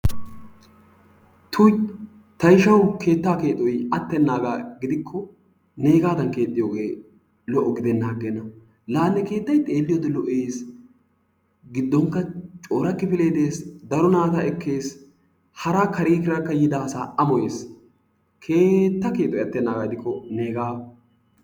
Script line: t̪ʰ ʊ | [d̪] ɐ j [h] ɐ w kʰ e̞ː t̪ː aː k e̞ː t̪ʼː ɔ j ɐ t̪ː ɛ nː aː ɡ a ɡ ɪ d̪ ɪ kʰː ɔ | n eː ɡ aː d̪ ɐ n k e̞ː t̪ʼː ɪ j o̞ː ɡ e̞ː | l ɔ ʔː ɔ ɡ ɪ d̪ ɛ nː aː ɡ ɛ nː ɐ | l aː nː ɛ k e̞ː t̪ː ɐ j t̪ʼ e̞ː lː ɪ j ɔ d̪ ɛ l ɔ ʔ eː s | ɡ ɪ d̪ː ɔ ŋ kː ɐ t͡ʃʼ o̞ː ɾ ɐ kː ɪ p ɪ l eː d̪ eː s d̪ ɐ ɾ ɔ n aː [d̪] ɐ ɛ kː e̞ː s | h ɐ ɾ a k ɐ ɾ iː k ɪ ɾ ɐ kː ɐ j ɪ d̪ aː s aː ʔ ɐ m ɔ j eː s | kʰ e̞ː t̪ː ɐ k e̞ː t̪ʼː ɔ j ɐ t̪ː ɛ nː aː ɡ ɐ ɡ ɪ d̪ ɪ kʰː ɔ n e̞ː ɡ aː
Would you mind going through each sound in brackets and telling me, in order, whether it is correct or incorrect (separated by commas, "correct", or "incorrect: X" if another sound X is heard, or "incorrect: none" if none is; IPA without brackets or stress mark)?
incorrect: t̪, incorrect: ʃ, incorrect: t̪